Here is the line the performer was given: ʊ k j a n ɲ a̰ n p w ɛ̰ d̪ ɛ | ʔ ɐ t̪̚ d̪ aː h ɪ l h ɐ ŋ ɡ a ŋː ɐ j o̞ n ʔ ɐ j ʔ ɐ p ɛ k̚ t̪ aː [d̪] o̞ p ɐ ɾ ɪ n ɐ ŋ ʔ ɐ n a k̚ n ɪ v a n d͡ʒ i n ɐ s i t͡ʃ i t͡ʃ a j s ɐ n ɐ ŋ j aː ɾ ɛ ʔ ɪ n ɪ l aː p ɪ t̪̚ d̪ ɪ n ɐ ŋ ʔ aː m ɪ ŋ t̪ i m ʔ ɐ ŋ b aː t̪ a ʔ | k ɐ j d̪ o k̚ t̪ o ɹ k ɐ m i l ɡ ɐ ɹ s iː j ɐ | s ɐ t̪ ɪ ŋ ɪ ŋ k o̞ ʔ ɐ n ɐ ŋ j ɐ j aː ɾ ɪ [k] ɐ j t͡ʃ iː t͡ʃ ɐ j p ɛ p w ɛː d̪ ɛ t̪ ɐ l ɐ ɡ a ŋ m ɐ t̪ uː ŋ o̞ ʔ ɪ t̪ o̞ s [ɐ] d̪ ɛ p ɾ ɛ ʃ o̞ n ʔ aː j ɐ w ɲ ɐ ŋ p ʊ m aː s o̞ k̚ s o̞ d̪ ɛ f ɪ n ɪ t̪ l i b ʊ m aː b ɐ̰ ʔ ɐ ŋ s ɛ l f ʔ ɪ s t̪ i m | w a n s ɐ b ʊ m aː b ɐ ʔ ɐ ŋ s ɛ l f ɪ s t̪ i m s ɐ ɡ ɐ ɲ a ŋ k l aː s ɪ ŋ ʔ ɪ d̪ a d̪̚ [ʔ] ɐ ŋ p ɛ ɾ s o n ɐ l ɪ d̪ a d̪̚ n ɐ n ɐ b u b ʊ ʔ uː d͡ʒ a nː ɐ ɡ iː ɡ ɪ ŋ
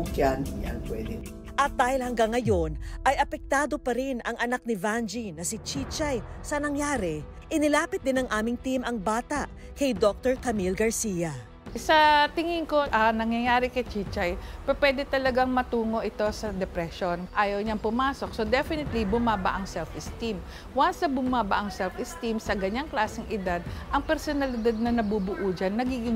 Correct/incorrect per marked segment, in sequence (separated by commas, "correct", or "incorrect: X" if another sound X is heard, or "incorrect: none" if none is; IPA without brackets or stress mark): correct, correct, correct, correct